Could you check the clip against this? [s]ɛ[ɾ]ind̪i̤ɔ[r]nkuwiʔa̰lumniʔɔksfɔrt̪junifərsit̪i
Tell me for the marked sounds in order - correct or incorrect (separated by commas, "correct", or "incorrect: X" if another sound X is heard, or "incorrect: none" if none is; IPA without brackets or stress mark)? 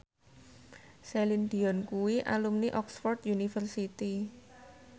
correct, incorrect: l, incorrect: none